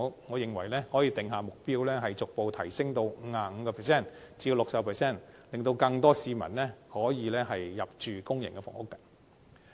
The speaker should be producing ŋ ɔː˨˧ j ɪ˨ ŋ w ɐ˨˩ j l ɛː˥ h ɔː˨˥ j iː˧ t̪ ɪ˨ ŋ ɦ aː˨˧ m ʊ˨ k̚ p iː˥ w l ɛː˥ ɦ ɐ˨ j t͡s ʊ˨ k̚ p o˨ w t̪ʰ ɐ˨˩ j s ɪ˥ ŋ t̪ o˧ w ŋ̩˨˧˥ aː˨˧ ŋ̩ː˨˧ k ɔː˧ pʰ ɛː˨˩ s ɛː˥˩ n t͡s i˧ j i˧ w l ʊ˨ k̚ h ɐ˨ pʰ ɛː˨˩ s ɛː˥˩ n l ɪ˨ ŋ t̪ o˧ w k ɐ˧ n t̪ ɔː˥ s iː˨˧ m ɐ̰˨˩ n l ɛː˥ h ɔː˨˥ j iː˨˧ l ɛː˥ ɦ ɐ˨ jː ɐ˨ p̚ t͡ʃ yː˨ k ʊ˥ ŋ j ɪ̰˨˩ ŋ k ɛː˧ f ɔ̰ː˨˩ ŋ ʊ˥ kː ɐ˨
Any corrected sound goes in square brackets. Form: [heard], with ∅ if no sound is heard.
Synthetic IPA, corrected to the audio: ŋ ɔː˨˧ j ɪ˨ ŋ w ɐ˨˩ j l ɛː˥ h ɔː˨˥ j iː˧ t̪ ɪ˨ ŋ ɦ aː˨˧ m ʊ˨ k̚ p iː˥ w l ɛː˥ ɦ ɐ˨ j t͡s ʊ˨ k̚ p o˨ w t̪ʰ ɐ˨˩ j s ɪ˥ ŋ t̪ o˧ w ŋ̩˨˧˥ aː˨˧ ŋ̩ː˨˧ k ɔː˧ pʰ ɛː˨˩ s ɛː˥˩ n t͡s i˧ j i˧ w l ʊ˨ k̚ [s] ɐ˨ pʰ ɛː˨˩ s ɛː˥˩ n l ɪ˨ ŋ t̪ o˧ w k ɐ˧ [ŋ] t̪ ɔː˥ s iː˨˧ m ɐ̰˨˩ n l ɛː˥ h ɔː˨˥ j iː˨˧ l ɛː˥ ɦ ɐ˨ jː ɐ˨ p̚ t͡ʃ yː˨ k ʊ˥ ŋ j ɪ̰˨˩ ŋ k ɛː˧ f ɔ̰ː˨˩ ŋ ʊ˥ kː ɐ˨